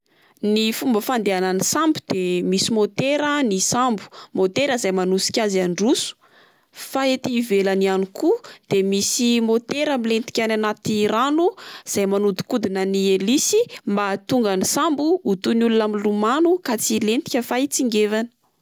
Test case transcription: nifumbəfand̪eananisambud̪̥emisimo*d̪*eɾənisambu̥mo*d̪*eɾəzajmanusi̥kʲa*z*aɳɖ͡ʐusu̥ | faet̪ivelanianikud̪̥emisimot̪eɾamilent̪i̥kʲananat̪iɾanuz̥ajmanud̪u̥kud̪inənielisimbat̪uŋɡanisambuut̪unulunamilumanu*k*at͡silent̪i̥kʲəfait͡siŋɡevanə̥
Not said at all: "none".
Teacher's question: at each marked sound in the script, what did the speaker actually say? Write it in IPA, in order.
t̪, t̪, z, k

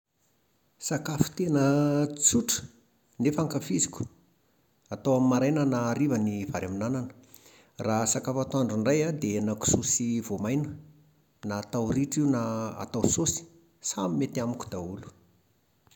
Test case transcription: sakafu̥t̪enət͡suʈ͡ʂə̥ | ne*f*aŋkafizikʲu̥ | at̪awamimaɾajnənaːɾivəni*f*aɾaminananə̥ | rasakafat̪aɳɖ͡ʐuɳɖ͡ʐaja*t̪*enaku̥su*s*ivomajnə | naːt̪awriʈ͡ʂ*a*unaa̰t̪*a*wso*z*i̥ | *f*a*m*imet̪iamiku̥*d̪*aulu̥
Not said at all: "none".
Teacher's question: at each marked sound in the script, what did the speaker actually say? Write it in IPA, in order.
f, v, d̪, s, i, a, s, s, m, d̪

